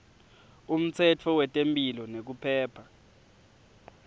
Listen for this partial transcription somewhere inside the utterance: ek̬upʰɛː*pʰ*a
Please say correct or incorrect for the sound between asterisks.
correct